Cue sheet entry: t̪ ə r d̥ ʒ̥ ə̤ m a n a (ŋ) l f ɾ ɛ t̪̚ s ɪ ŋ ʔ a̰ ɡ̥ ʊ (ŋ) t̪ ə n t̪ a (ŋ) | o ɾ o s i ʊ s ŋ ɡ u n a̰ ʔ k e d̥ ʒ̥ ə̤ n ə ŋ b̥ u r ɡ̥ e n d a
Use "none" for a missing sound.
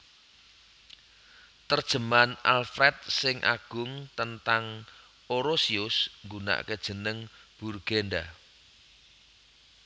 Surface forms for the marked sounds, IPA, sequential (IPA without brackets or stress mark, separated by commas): none, ŋ, ŋ